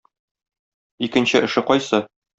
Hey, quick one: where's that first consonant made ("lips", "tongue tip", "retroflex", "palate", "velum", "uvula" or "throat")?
velum